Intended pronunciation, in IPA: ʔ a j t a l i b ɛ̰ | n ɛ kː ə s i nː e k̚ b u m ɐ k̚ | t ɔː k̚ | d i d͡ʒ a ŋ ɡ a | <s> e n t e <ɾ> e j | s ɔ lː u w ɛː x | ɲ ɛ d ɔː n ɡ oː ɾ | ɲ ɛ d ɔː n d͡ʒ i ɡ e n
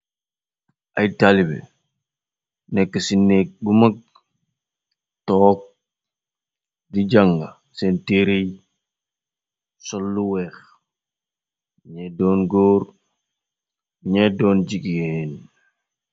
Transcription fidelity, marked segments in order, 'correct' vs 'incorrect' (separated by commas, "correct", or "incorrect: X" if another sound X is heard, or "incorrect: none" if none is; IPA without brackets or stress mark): correct, correct